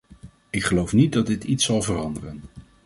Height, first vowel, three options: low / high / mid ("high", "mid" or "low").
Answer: high